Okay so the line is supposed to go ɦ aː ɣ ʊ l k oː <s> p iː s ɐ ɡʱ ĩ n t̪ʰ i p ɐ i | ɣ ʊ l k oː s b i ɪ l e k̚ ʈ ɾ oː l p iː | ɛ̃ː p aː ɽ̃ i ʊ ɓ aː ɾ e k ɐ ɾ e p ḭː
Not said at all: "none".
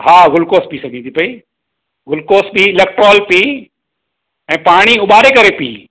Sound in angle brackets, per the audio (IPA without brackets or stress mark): s